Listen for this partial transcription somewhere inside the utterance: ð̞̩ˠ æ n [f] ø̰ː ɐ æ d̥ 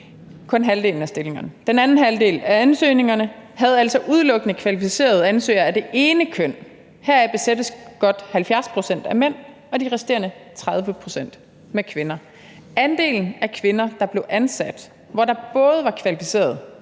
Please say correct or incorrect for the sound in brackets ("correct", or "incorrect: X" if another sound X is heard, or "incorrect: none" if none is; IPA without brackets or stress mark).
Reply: incorrect: s